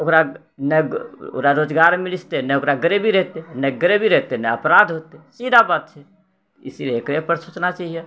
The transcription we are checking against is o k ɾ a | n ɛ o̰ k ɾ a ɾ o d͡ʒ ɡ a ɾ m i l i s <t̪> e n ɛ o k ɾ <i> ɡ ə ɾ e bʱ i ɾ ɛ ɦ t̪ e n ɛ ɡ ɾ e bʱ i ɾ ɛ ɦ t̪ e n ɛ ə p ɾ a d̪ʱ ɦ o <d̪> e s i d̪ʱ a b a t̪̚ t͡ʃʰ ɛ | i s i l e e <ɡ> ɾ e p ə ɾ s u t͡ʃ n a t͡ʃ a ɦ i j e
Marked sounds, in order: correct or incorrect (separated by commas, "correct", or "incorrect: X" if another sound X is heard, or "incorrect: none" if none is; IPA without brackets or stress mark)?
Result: correct, incorrect: a, incorrect: t̪, incorrect: k